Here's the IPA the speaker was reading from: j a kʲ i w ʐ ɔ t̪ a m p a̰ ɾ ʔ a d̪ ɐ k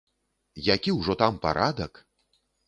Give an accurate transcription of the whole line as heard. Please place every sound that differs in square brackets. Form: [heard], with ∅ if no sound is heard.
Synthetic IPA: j a kʲ i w ʐ ɔ t̪ a m p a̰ ɾ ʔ a d̪ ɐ k